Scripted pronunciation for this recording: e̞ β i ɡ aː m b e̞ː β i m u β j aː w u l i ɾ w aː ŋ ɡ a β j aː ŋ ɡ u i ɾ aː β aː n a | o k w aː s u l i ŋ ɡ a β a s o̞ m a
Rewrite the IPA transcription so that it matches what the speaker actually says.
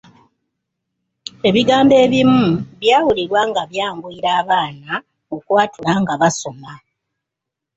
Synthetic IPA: e̞ β i ɡ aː m b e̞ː β i m u β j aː w u l i ɾ w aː ŋ ɡ a β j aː ŋ ɡ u i ɾ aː β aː n a | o k w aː t u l a ŋ ɡ a β a s o̞ m a